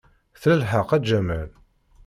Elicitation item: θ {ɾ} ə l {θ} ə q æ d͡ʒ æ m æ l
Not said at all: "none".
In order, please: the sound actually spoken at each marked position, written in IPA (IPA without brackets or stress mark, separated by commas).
l, ħ